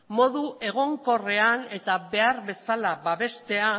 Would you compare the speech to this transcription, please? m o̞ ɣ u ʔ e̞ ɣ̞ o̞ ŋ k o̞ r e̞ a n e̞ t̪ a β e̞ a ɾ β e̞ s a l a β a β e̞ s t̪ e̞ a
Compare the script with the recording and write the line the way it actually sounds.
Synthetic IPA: m o̞ ð u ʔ e̞ ɣ̞ o̞ ŋ k o̞ r e̞ a n e̞ t̪ a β e̞ a ɾ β e̞ s a l a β a β e̞ s t̪ e̞ a